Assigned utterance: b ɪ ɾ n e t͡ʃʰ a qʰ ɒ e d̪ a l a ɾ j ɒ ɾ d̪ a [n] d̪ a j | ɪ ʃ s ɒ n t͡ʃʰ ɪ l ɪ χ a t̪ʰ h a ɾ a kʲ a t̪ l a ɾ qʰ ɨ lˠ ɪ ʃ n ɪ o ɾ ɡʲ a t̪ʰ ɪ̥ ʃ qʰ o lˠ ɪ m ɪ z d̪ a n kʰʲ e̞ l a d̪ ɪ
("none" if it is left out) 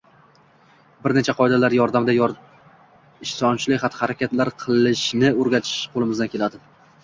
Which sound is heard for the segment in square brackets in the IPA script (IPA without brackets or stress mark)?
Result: m